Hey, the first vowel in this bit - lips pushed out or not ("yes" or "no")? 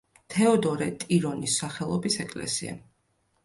no